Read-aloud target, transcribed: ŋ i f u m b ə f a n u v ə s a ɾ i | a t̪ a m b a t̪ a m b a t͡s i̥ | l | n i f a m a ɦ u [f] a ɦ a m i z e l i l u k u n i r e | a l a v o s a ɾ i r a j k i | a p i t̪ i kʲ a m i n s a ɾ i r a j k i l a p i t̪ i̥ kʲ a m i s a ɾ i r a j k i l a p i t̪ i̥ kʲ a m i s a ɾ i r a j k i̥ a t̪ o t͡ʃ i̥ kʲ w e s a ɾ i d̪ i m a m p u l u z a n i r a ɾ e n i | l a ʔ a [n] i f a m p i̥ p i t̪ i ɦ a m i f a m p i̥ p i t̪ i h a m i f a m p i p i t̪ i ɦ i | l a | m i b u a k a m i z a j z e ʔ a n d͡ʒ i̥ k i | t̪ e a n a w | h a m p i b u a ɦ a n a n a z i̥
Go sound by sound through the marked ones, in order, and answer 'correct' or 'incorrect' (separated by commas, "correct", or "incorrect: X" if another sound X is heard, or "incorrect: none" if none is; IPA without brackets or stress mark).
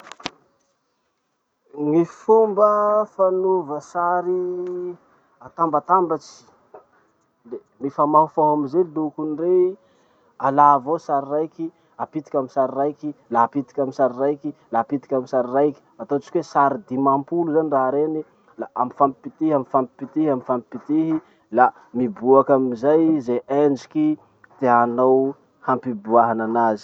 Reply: correct, incorrect: m